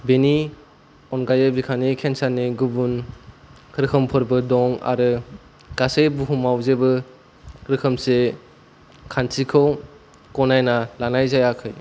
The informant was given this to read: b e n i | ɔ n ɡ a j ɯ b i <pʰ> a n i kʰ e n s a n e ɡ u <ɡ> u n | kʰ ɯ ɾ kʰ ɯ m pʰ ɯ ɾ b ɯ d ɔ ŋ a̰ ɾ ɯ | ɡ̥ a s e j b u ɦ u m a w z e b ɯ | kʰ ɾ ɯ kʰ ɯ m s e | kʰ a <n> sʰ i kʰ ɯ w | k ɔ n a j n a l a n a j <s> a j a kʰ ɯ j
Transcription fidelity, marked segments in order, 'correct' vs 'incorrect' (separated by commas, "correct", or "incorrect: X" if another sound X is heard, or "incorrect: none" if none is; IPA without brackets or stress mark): incorrect: kʰ, incorrect: b, correct, incorrect: z